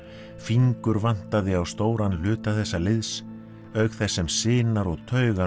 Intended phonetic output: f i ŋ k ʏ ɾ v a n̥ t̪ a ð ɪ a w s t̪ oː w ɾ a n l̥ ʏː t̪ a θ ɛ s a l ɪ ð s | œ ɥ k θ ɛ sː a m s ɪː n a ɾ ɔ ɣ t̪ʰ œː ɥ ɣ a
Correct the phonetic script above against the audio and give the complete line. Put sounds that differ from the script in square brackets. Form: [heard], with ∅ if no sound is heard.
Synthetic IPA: f i ŋ k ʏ ɾ v a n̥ t̪ a ð ɪ a w s t̪ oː w ɾ a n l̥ ʏː t̪ a θ ɛ [sː] a l ɪ ð s | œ ɥ k θ ɛ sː [ɛ] m s ɪː n a ɾ ɔ ɣ t̪ʰ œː ɥ ɣ a